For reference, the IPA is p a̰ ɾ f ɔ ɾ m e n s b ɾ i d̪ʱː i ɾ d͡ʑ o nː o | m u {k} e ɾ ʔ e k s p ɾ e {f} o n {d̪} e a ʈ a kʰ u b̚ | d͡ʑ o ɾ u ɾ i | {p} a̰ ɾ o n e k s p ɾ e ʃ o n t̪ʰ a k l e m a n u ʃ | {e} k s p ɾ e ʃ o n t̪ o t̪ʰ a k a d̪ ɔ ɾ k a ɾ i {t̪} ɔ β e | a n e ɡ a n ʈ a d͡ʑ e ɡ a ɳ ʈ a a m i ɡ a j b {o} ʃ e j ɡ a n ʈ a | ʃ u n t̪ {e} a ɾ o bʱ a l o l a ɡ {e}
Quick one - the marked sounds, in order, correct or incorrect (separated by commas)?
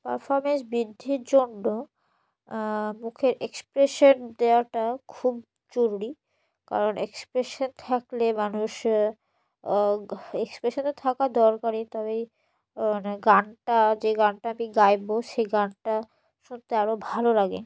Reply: incorrect, incorrect, correct, incorrect, correct, correct, correct, correct, correct